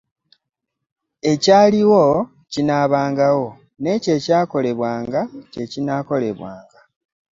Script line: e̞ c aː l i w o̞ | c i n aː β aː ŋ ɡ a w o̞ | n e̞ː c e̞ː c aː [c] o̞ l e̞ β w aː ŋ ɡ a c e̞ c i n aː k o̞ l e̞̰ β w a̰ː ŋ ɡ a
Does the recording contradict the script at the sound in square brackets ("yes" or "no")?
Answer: yes